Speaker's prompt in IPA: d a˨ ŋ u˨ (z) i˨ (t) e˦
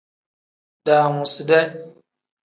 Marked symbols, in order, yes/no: no, no

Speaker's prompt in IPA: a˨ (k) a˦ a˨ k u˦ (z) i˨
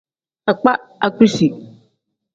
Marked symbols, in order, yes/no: no, no

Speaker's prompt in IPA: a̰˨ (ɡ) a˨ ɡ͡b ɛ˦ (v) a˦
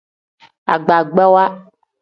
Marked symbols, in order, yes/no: no, no

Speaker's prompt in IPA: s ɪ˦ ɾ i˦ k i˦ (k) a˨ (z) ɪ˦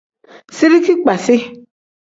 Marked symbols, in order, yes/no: no, no

